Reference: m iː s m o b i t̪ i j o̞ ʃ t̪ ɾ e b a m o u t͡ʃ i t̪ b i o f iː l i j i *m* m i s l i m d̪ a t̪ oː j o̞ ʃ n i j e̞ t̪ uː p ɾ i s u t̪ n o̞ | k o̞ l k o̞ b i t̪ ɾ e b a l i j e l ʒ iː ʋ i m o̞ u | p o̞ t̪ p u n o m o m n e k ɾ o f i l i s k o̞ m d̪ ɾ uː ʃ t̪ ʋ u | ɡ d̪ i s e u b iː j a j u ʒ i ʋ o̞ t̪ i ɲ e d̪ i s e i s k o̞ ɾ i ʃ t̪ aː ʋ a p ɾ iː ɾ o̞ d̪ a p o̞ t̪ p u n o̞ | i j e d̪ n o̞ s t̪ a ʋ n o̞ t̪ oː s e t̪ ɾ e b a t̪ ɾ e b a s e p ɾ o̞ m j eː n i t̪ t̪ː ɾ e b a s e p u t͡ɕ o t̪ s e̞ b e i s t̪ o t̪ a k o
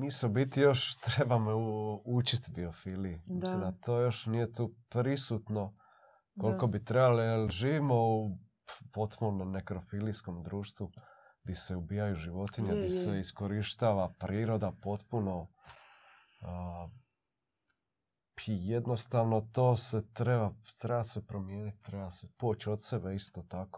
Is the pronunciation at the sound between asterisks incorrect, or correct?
correct